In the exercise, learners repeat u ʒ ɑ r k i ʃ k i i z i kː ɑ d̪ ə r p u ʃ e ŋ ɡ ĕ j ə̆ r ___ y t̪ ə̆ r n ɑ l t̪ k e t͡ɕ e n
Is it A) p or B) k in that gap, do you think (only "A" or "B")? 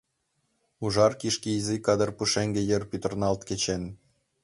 A